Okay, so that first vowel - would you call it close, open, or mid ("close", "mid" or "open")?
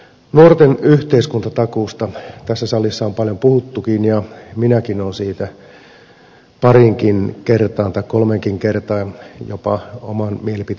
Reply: close